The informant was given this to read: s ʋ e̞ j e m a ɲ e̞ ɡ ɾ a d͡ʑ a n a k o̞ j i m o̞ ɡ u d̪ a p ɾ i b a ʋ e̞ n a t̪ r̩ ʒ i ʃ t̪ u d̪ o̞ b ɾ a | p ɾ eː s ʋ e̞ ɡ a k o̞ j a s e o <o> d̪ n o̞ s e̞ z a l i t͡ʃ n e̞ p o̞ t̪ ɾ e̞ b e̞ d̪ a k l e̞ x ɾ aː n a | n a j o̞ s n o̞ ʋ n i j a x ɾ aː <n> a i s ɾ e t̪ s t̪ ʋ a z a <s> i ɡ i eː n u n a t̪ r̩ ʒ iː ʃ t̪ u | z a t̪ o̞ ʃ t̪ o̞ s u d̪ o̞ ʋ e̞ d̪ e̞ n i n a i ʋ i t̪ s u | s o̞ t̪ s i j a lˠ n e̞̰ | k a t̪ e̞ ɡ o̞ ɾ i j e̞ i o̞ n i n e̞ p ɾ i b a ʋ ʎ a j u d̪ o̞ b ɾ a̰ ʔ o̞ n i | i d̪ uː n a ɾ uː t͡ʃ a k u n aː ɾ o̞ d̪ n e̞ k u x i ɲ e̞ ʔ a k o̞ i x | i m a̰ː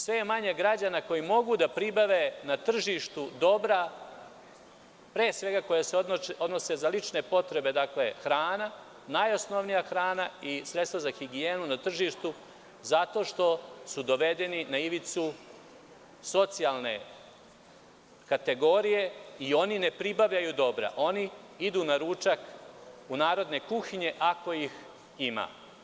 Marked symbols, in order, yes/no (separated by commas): yes, yes, no